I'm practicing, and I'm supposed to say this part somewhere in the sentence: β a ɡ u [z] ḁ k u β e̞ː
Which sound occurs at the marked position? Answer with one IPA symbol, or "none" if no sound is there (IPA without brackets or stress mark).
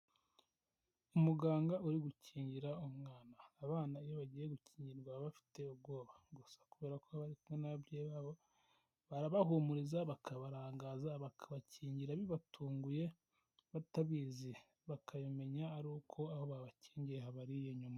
s